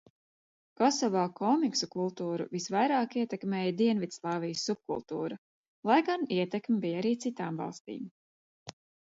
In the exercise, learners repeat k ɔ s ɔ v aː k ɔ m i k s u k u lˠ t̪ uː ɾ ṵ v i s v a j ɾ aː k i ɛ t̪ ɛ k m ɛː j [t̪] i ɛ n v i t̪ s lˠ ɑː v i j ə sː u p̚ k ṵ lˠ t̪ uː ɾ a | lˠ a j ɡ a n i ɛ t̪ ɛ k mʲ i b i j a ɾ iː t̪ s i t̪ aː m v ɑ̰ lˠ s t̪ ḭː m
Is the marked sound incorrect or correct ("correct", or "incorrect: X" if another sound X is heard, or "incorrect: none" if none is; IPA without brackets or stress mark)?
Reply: incorrect: d̪